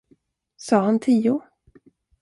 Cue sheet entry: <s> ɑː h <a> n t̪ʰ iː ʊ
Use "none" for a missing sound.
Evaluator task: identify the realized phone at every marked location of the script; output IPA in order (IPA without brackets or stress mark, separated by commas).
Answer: s, a